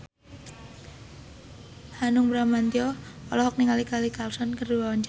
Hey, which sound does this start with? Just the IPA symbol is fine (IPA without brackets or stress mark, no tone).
h